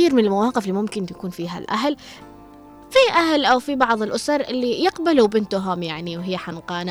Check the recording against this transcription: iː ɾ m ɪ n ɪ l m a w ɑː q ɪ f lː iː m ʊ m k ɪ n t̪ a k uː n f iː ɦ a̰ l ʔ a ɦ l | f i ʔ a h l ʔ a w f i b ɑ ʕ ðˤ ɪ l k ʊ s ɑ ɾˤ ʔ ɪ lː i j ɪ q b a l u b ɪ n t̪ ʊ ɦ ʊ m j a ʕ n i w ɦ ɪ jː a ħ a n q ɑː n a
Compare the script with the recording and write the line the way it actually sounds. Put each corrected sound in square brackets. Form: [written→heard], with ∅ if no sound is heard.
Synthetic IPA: iː ɾ m ɪ n ɪ l m a w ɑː q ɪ f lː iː m ʊ m k ɪ n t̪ a k uː n f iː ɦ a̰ l ʔ a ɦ l | f i ʔ a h l ʔ a w f i b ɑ ʕ ðˤ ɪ l [k→ʔ] ʊ s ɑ ɾˤ ʔ ɪ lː i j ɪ q b a l u b ɪ n t̪ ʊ ɦ ʊ m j a ʕ n i w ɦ ɪ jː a ħ a n q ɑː n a